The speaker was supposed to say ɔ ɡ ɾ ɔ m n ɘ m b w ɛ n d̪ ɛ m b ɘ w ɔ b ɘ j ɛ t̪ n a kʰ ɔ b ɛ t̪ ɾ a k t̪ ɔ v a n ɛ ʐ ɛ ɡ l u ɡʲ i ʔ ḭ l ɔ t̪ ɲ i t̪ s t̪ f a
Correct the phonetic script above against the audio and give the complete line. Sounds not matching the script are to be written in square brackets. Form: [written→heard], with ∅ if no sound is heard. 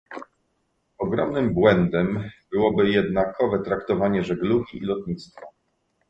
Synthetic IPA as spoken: ɔ ɡ ɾ ɔ m n ɘ m b w ɛ n d̪ ɛ m b ɘ w ɔ b ɘ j ɛ [t̪→d̪] n a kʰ ɔ [b→v] ɛ t̪ ɾ a k t̪ ɔ v a [n→ɲ] ɛ ʐ ɛ ɡ l u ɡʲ i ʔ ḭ l ɔ t̪ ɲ i t̪ s t̪ f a